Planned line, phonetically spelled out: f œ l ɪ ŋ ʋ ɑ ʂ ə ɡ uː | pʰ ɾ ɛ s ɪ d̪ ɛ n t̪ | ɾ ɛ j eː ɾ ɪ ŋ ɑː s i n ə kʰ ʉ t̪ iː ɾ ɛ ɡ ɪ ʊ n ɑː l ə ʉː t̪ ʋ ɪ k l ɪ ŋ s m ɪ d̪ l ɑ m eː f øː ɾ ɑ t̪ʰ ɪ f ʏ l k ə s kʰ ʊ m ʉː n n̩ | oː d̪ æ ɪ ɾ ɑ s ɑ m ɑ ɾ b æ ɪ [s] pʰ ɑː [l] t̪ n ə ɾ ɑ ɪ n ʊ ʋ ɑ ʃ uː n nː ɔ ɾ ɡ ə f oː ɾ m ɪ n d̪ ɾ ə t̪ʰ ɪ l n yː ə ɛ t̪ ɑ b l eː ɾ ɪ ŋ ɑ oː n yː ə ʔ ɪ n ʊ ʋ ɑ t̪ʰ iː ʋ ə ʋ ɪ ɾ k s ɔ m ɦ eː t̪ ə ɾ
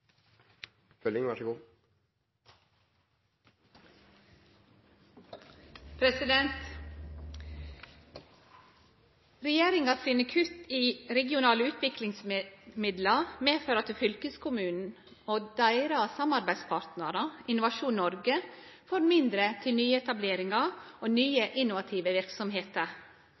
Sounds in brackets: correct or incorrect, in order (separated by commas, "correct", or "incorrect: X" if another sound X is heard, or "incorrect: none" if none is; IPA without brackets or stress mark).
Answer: correct, incorrect: ɾ